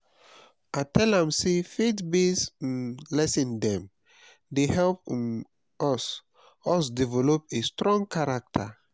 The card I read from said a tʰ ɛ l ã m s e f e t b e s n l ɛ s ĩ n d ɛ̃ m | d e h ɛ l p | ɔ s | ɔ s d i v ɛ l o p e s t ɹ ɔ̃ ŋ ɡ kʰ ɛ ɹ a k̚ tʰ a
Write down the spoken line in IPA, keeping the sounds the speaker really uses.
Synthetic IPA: a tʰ ɛ l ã m s e f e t b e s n l ɛ s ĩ n d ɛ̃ m | d e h ɛ l p | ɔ s | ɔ s d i v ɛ l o p e s t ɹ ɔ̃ ŋ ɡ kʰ a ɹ a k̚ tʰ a